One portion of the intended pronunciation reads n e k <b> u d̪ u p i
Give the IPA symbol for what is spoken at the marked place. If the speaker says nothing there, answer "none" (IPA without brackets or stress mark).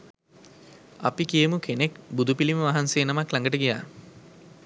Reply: b